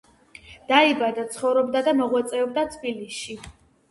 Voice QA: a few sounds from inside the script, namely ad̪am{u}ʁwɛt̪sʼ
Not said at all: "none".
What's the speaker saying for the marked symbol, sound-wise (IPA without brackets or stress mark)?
ɔ